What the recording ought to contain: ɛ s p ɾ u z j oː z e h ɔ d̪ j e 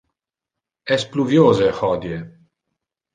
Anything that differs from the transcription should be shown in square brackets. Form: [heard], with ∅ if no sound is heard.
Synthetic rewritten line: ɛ s p [l] u [v] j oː z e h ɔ d̪ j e